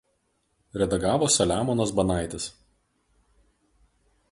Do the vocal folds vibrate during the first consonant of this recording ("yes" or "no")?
yes